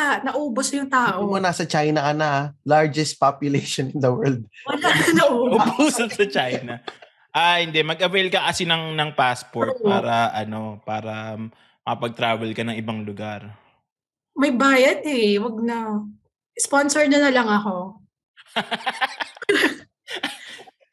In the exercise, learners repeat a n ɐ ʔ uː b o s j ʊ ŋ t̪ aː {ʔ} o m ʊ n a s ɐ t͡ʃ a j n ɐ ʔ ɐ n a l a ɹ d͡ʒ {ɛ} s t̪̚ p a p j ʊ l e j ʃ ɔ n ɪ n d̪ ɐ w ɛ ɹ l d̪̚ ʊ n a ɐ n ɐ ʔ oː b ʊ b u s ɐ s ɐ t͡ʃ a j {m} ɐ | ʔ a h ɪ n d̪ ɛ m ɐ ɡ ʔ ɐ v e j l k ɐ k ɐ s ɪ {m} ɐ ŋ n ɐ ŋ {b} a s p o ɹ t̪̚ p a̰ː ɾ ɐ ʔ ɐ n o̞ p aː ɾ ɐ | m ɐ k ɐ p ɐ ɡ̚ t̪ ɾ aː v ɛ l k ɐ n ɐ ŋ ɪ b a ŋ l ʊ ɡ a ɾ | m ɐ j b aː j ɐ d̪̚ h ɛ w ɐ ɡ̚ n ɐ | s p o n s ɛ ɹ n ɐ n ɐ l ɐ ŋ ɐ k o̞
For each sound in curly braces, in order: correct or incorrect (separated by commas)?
correct, correct, incorrect, incorrect, incorrect